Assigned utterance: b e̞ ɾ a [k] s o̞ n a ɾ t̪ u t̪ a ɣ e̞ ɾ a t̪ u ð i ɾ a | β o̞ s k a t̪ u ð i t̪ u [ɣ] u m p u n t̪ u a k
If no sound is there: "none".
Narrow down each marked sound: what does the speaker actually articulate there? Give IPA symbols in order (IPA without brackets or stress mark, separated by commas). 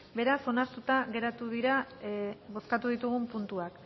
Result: none, ɣ